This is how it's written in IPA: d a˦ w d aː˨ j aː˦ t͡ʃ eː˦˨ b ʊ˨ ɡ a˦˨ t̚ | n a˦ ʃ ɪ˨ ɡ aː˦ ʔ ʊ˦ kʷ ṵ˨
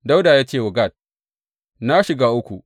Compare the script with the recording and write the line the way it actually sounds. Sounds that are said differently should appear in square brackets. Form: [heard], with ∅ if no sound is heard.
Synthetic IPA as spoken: d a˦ w d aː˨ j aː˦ t͡ʃ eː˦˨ [w] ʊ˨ ɡ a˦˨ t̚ | n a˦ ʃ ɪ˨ ɡ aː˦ ʔ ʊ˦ kʷ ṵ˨